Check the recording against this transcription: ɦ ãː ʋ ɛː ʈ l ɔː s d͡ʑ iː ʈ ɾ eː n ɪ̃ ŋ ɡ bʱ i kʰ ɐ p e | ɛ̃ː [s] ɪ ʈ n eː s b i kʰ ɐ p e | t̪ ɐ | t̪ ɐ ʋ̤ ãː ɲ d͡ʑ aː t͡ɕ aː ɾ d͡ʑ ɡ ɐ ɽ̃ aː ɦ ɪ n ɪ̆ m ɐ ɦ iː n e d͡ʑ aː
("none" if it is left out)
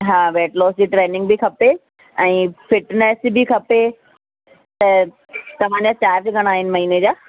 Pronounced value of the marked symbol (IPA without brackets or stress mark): f